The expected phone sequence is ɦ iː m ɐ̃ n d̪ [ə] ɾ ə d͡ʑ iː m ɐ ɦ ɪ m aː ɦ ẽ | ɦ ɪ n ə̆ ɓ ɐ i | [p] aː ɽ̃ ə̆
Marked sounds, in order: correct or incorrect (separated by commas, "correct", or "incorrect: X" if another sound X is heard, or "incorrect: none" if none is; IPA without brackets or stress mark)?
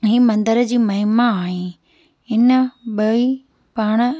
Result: correct, correct